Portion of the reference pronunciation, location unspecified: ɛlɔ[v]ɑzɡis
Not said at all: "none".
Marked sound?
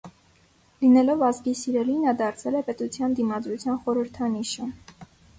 v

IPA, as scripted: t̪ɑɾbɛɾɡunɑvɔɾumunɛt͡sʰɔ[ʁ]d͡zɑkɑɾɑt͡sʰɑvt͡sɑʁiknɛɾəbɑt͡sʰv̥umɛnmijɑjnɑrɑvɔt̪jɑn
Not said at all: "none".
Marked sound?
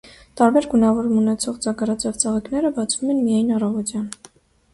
ʁ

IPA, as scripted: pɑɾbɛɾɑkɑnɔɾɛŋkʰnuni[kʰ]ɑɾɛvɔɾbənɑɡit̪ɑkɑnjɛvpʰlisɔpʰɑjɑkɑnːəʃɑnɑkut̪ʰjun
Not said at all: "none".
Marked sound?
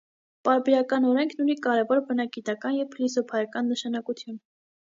k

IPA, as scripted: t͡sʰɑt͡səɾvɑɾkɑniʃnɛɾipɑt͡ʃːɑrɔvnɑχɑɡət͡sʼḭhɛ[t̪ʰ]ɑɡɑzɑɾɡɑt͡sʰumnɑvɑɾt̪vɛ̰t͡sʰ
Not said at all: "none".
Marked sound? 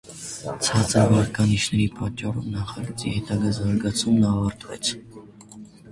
t̪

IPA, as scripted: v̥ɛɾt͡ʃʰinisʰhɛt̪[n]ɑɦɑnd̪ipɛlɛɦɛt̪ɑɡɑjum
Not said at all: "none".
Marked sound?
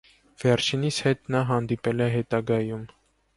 n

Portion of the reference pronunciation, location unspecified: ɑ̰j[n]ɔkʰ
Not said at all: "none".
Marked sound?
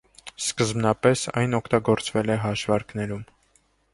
n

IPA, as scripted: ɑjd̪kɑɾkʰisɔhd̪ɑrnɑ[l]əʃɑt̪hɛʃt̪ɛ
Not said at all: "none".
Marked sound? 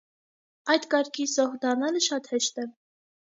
l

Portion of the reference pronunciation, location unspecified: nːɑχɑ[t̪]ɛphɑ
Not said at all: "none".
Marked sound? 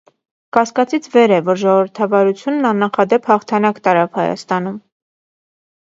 d̪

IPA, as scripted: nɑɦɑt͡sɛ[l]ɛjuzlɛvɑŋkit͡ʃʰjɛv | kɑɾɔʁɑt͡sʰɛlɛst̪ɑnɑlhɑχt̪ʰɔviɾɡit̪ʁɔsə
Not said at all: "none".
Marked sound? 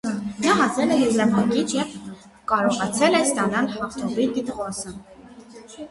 l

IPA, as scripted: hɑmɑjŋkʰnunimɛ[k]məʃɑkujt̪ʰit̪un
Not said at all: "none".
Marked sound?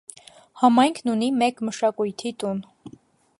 k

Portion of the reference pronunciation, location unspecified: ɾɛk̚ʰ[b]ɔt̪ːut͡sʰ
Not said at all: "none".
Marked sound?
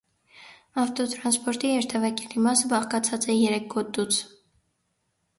ɡ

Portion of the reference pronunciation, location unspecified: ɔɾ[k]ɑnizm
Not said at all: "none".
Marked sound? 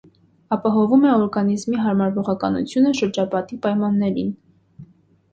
ɡ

